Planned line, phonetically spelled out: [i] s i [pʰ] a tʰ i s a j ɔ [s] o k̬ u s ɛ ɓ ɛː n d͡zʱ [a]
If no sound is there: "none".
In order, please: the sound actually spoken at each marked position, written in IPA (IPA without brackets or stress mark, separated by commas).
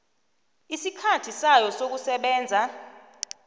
i, kʰ, s, a